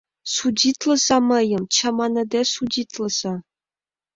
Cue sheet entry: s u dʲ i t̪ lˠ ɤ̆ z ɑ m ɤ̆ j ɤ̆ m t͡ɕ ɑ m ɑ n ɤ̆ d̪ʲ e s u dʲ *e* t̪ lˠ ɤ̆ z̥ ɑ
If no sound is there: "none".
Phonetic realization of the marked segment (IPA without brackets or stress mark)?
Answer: i